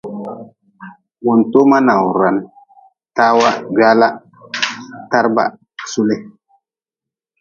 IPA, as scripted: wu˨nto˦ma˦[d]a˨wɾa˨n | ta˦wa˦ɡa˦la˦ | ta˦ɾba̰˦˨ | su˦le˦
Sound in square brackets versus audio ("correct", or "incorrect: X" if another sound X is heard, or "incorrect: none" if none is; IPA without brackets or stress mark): incorrect: n